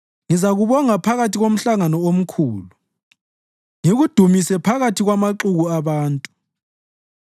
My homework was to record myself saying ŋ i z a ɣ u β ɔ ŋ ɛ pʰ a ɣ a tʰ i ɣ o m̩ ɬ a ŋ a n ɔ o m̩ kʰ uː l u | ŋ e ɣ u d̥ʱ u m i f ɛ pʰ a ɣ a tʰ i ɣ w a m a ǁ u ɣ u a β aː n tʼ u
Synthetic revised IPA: ŋ i z a ɣ u β ɔ ŋ a pʰ a ɣ a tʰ i ɣ o m̩ ɬ a ŋ a n ɔ o m̩ kʰ uː l u | ŋ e ɣ u d̥ʱ u m i s ɛ pʰ a ɣ a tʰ i ɣ w a m a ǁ u ɣ u a β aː n tʼ u

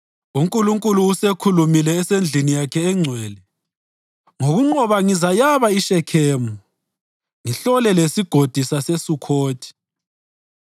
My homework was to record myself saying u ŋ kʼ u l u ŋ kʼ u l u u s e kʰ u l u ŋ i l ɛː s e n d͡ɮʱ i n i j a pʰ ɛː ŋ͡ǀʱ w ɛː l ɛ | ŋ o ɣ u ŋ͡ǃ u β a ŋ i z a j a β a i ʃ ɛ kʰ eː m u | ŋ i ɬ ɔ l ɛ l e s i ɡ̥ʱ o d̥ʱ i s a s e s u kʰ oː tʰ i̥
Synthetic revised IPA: u ŋ kʼ u l u ŋ kʼ u l u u s e kʰ u l u m i l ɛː s e n d͡ɮʱ i n i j a kʰ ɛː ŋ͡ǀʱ w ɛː l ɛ | ŋ o ɣ u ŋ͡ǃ ɔ β a ŋ i z a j a β a i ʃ ɛ kʰ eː m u | ŋ i ɬ ɔ l ɛ l e s i ɡ̥ʱ o d̥ʱ i s a s e s u kʰ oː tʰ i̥

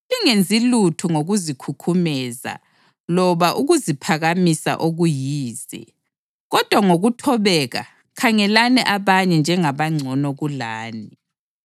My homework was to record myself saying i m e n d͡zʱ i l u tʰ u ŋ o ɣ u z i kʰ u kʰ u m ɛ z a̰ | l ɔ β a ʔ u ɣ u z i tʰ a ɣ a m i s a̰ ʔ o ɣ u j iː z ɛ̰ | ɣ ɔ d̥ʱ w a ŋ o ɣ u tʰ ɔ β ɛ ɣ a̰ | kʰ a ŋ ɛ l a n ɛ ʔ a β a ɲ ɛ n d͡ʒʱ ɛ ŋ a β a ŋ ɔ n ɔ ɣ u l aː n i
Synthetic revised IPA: i ŋ e n d͡zʱ i l u tʰ u ŋ o ɣ u z i kʰ u kʰ u m ɛ z a̰ | l ɔ β a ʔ u ɣ u z i pʰ a ɣ a m i s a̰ ʔ o ɣ u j iː z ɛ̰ | ɣ ɔ d̥ʱ w a ŋ o ɣ u tʰ ɔ β ɛ ɣ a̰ | kʰ a ŋ ɛ l a n ɛ ʔ a β a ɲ ɛ n d͡ʒʱ ɛ ŋ a β a ŋ͡ǀʱ ɔ n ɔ ɣ u l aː n i

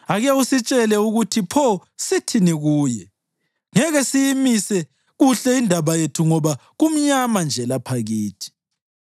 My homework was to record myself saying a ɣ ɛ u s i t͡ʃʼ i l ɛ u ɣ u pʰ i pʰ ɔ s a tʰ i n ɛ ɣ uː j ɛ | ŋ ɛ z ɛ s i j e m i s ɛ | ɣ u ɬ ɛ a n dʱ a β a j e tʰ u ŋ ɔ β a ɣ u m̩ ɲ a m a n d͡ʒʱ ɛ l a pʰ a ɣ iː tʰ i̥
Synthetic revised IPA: a ɣ ɛ u s i t͡ʃʼ ɛ l ɛ u ɣ u tʰ i pʰ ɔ s i tʰ i n i ɣ uː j ɛ | ŋ ɛ ɣ ɛ s i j i m i s ɛ | ɣ u ɬ ɛ i n dʱ a β a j e tʰ u ŋ ɔ β a ɣ u m̩ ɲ a m a n d͡ʒʱ ɛ l a pʰ a ɣ iː tʰ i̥

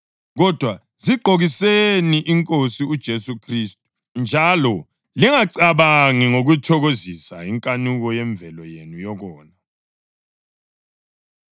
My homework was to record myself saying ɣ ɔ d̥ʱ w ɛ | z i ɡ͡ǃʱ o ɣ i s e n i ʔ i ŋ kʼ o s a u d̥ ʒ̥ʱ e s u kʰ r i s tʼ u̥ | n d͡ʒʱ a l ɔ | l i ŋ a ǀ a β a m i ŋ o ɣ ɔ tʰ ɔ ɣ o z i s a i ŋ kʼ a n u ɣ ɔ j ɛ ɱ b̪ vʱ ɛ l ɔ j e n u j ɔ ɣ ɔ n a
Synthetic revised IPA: ɣ ɔ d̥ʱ w a | z i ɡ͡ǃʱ o ɣ i s e n i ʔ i ŋ kʼ o s i u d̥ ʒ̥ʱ e s u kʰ r i s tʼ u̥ | n d͡ʒʱ a l ɔ | l i ŋ a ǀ a β a ŋ i ŋ o ɣ u tʰ ɔ ɣ o z i s a i ŋ kʼ a n u ɣ ɔ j ɛ ɱ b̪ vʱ ɛ l ɔ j e n u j ɔ ɣ ɔː n a

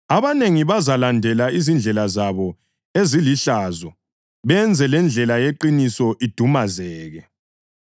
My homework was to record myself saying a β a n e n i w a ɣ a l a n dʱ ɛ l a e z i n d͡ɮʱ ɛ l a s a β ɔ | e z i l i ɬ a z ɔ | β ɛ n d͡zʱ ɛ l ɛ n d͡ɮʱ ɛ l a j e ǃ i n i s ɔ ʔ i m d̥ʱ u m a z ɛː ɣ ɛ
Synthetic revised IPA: a β a n e ŋ i β a z a l a n dʱ ɛ l a i z i n d͡ɮʱ ɛ l a z a β ɔ | e z i l i ɬ a z ɔ | β ɛ n d͡zʱ ɛ l ɛ n d͡ɮʱ ɛ l a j e ǃ i n i s ɔ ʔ i d̥ʱ u m a z ɛː ɣ ɛ

